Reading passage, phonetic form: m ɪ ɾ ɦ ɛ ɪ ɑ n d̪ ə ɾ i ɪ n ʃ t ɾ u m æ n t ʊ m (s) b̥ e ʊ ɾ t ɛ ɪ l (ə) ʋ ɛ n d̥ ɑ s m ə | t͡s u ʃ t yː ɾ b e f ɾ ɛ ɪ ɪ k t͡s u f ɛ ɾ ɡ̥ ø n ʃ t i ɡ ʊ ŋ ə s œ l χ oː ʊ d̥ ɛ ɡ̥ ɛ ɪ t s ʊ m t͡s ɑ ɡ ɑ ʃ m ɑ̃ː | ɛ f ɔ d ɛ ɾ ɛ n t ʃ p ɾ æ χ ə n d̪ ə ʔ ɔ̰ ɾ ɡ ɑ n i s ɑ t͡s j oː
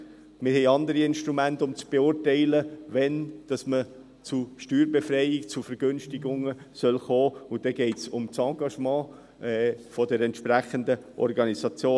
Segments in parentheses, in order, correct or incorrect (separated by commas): incorrect, correct